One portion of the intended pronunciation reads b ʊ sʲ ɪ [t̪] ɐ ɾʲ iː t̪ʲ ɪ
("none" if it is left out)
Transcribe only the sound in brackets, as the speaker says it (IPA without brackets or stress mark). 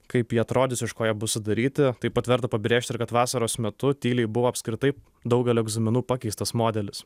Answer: d̪